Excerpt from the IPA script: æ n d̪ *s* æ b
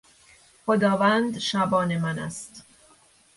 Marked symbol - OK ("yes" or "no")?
no